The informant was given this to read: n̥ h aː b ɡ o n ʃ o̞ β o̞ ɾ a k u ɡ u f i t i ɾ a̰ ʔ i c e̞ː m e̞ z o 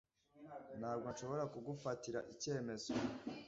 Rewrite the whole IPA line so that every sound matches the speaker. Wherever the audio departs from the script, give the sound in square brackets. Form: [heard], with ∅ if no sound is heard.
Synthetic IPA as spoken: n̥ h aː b ɡ o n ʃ o̞ β o̞ ɾ a k u ɡ u f [a] t i ɾ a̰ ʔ i c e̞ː m e̞ z o